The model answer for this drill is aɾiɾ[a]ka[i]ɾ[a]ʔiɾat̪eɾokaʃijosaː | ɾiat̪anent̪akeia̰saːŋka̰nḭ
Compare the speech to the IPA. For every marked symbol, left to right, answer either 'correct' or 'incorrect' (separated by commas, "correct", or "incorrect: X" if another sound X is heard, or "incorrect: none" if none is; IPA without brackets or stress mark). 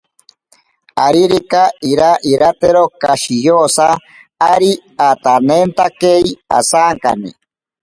incorrect: i, correct, correct